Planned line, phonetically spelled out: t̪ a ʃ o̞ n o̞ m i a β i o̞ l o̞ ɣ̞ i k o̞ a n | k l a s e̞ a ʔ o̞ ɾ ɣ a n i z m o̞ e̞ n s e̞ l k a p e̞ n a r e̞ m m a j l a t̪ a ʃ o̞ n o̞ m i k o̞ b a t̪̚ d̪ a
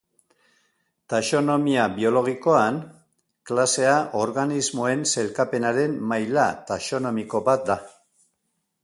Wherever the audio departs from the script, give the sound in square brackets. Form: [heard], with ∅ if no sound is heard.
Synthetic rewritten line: t̪ a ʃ o̞ n o̞ m i a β i o̞ l o̞ ɣ̞ i k o̞ a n | k l a s e̞ a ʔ o̞ ɾ ɣ a n i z m o̞ e̞ n s e̞ l k a p e̞ n a [ɾ] e̞ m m a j l a t̪ a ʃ o̞ n o̞ m i k o̞ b a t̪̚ d̪ a